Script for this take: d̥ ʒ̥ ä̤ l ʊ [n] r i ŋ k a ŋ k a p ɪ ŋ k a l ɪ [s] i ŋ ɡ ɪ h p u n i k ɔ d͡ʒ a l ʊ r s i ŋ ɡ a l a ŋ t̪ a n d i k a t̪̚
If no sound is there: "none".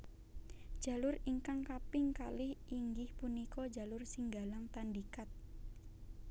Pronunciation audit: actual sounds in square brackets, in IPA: none, h

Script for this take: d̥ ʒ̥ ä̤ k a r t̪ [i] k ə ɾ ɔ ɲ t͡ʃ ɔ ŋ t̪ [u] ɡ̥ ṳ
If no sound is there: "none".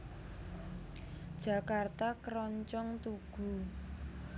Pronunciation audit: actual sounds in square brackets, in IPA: a, u

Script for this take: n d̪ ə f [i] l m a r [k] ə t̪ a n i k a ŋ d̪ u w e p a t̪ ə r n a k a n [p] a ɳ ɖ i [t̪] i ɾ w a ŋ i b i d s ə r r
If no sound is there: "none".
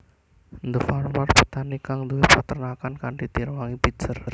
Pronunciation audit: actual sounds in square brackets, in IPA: a, p, k, t̪

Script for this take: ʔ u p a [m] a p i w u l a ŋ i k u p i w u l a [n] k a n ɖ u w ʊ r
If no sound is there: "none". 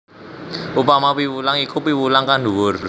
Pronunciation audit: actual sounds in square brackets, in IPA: m, ŋ

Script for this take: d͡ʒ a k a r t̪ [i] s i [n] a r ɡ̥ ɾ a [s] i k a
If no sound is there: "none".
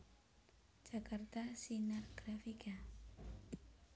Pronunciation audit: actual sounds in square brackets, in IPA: a, n, f

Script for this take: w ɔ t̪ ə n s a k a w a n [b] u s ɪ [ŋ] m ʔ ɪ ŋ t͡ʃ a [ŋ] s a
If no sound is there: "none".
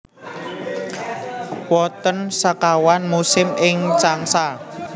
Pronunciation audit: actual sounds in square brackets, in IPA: m, none, ŋ

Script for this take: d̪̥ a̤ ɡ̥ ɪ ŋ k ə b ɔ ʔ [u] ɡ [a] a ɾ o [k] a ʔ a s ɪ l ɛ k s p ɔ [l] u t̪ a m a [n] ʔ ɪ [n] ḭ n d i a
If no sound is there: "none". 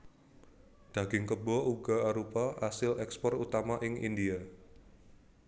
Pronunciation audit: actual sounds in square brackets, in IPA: u, a, p, r, none, ŋ

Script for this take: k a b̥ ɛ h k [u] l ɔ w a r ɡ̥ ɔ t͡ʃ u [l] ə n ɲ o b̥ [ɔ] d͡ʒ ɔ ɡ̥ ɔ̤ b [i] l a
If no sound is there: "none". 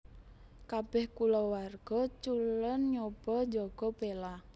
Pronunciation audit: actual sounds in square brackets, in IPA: u, l, ɔ, e

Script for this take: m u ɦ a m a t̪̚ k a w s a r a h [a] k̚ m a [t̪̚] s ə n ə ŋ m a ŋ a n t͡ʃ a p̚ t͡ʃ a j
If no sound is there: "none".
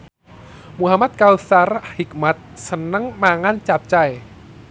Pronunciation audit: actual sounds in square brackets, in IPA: i, t̪̚

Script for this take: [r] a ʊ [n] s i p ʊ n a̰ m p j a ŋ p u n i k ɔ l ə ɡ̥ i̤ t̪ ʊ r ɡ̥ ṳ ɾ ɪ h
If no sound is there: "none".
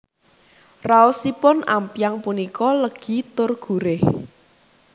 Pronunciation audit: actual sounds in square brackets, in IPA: r, none

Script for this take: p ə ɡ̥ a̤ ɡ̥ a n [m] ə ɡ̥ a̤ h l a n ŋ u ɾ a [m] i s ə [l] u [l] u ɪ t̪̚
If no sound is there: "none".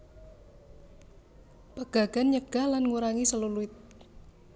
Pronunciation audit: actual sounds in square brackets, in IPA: ɲ, ŋ, l, l

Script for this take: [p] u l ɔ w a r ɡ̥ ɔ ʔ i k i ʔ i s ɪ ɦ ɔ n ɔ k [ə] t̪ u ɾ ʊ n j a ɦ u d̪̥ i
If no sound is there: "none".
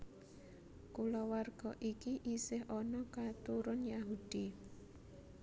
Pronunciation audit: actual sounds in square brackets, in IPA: k, a

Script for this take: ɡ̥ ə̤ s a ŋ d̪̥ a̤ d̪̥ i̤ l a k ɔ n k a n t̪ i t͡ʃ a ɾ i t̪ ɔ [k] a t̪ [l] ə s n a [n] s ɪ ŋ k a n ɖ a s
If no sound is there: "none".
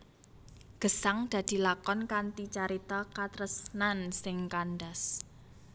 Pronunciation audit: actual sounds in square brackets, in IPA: k, ɾ, n

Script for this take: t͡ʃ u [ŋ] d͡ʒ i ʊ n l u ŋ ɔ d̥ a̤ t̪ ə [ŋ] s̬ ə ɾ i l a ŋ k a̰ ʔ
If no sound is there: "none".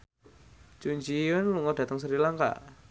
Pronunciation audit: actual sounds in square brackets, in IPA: ɲ, ŋ

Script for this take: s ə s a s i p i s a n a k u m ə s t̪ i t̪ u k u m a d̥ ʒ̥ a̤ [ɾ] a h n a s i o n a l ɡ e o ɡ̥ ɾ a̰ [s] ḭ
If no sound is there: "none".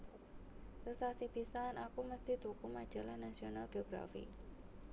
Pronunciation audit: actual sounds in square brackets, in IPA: l, f

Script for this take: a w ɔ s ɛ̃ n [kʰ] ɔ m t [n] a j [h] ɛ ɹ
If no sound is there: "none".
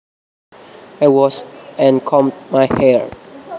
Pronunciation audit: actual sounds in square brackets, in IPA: kʰ, m, h

